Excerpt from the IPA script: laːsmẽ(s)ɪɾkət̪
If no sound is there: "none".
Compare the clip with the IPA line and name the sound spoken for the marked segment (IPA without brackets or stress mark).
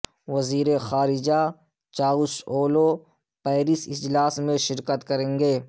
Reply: ʃ